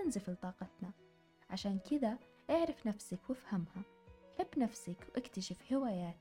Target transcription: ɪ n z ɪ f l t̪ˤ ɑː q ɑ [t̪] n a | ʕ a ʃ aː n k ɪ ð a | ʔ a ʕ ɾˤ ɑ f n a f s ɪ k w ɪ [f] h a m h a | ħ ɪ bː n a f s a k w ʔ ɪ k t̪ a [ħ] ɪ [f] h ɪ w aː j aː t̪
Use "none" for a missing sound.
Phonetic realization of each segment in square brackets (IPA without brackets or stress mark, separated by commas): t̪, f, ʃ, f